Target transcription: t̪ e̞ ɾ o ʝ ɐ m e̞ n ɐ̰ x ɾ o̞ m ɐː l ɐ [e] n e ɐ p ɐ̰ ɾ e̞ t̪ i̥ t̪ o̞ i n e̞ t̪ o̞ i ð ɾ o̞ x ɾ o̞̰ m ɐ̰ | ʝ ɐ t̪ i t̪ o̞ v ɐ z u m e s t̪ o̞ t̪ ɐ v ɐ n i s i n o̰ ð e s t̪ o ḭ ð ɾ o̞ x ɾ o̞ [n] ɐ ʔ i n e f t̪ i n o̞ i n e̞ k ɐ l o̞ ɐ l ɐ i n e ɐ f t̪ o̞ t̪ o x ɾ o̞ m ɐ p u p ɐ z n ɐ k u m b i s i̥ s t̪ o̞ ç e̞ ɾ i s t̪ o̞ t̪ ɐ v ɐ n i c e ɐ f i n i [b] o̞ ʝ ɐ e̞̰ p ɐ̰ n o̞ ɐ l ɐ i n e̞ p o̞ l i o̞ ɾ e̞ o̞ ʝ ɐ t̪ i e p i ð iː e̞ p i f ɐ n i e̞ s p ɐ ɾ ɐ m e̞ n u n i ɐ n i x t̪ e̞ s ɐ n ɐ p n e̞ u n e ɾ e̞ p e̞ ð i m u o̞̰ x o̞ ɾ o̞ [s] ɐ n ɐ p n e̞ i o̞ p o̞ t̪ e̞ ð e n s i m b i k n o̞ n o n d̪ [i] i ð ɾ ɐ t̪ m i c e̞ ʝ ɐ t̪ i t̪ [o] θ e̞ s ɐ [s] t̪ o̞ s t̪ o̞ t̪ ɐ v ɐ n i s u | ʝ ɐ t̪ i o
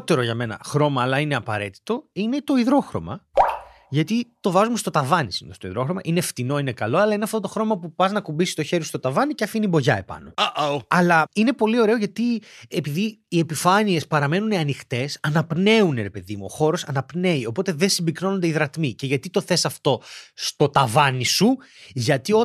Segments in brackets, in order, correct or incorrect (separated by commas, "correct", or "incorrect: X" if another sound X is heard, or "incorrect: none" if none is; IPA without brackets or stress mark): incorrect: i, incorrect: m, correct, correct, incorrect: e, correct, incorrect: f